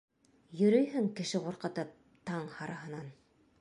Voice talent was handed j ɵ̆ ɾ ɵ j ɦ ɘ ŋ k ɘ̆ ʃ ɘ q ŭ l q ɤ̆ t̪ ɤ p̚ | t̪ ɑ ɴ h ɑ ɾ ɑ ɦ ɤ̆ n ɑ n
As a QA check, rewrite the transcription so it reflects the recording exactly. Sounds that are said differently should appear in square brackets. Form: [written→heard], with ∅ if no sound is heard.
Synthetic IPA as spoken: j ɵ̆ ɾ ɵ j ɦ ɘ ŋ k ɘ̆ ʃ ɘ q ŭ [l→ɾ] q ɤ̆ t̪ ɤ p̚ | t̪ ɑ ɴ h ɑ ɾ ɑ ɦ ɤ̆ n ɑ n